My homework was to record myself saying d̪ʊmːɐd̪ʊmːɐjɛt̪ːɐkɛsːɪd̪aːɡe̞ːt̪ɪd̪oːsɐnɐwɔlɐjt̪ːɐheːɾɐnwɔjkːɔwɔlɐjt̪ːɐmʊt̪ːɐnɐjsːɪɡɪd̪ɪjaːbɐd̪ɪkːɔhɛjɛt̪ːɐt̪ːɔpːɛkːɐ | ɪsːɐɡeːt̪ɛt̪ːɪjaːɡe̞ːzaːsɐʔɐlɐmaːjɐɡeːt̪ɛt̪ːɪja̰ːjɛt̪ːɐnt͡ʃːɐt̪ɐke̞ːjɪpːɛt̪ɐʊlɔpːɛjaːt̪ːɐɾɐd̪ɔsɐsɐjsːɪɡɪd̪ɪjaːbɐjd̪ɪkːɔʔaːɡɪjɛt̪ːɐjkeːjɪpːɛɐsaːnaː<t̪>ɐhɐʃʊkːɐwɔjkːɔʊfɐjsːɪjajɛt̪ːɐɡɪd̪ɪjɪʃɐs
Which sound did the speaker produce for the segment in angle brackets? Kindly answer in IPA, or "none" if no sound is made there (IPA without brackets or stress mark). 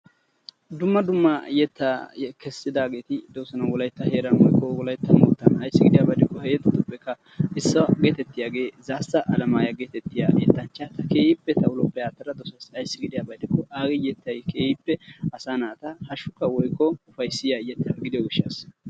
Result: t̪